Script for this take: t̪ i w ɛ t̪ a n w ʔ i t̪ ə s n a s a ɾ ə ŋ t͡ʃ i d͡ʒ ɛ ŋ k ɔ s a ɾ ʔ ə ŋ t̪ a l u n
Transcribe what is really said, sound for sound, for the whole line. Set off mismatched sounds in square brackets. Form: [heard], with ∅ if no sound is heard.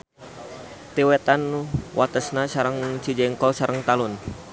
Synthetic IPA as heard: t̪ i w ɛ t̪ a n w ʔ [a] t̪ ə s n a s a ɾ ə ŋ t͡ʃ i d͡ʒ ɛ ŋ k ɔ s a ɾ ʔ ə ŋ t̪ a l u n